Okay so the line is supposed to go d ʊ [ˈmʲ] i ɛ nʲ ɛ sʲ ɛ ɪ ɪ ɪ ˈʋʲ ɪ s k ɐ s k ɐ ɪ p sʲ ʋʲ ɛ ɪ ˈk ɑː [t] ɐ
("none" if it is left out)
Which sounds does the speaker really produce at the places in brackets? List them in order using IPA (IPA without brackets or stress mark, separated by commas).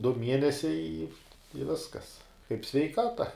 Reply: mʲ, t